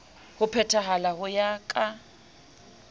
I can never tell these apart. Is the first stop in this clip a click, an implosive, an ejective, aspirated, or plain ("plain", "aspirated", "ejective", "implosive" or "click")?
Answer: aspirated